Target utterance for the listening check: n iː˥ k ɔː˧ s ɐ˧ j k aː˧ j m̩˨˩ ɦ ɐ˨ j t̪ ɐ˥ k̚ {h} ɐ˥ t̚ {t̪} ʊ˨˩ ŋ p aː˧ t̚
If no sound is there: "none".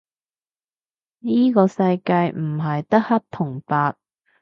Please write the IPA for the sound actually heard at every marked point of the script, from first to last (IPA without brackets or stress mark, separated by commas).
h, t̪ʰ